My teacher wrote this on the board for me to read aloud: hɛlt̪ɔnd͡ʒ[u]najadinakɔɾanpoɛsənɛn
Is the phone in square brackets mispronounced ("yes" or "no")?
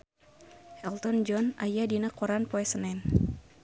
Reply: yes